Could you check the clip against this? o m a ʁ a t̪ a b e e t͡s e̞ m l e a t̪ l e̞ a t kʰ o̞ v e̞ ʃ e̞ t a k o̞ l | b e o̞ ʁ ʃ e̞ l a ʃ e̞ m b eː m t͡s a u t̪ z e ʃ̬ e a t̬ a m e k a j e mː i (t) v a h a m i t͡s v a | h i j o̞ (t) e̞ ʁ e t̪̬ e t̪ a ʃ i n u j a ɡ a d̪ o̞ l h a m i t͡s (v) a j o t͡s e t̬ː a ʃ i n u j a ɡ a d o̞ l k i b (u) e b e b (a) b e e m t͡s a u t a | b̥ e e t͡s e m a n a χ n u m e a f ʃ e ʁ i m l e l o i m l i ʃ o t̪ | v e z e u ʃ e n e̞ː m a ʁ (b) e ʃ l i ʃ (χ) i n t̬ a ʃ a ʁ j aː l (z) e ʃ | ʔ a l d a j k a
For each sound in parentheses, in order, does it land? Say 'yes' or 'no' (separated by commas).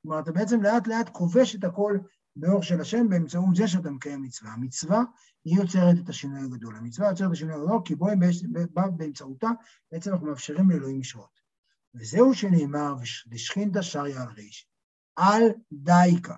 no, no, yes, no, yes, no, yes, no